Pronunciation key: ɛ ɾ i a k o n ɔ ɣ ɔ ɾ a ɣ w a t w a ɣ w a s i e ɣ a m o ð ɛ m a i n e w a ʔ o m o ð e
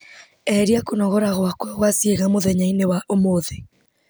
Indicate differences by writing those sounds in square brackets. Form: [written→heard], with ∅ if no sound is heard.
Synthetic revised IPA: ɛ ɾ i a k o n ɔ ɣ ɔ ɾ a ɣ w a [t→k] w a ɣ w a s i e ɣ a m o ð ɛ [m→ɲ] a i n e w a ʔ o m o ð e